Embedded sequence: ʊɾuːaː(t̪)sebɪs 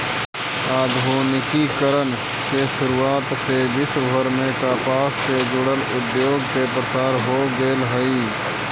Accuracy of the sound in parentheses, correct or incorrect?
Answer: correct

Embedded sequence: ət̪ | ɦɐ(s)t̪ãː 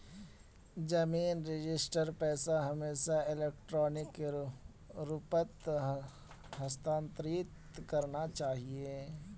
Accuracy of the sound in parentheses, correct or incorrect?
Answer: correct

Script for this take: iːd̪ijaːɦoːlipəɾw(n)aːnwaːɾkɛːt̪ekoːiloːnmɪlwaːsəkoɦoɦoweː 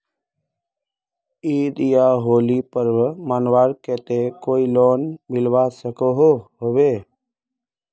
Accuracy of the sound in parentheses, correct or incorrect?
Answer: incorrect: m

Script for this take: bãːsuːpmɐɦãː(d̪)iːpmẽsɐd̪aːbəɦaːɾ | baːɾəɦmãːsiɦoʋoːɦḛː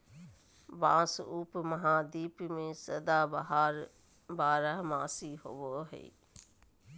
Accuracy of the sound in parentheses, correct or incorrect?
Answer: correct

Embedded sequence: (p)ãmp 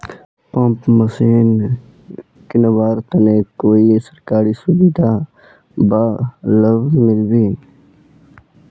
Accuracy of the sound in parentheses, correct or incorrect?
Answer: correct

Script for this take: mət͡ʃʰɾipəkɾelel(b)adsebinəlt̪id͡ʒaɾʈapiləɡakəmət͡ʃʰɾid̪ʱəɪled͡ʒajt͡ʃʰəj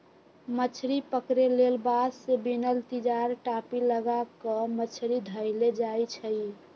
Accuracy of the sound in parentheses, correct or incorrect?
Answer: correct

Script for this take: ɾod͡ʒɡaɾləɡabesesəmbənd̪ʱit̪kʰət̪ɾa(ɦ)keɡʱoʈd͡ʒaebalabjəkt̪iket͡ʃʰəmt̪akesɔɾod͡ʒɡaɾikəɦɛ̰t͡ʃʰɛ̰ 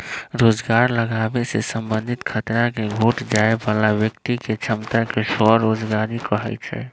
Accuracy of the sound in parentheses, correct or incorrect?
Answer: incorrect: none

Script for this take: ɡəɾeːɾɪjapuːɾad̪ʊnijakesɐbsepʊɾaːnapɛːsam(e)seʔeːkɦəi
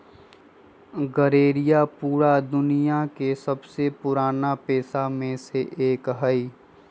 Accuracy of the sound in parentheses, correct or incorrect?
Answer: incorrect: ẽ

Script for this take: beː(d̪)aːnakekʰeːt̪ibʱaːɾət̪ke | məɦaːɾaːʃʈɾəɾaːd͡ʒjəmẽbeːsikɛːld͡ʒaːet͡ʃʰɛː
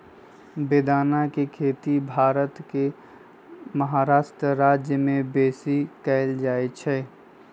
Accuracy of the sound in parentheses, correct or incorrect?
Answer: correct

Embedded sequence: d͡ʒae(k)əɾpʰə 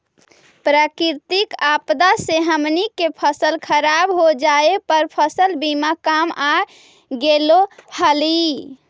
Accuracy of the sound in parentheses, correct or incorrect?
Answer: incorrect: p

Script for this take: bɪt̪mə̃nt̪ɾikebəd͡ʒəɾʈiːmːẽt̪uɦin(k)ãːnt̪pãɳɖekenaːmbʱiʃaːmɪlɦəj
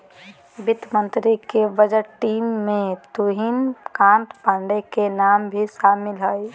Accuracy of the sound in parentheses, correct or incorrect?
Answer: correct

